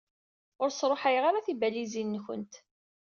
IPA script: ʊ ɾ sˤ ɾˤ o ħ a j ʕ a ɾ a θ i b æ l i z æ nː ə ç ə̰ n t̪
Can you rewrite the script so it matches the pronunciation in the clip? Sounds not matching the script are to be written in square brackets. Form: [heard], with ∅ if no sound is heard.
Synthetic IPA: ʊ ɾ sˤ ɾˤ o ħ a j [ʁ] a ɾ a θ i b æ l i z [i] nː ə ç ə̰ n t̪